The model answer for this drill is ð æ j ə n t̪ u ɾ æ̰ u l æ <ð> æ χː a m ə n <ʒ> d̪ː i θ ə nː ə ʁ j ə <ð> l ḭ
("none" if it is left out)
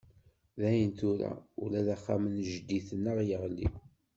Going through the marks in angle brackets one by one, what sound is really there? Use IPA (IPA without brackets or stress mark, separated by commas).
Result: ð, ʒ, ʁ